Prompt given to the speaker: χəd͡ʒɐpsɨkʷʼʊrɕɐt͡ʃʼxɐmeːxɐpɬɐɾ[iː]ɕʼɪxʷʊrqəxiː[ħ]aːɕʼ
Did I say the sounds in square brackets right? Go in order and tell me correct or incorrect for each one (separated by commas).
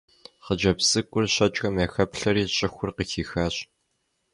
correct, incorrect